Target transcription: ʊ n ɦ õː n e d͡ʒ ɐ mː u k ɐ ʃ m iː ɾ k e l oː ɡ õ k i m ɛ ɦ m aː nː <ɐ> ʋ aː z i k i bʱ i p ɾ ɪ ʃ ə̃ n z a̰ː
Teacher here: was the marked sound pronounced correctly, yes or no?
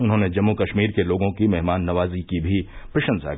yes